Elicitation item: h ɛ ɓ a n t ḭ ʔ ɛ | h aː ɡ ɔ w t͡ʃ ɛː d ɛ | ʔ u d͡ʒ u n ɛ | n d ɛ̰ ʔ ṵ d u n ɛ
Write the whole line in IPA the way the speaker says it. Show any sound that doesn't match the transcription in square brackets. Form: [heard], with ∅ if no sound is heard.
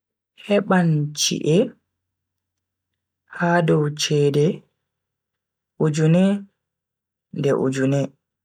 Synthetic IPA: h ɛ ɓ a n [t͡ʃ] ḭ ʔ ɛ | h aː [d] ɔ w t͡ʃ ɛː d ɛ | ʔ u d͡ʒ u n ɛ | n d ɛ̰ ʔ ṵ [d͡ʒ] u n ɛ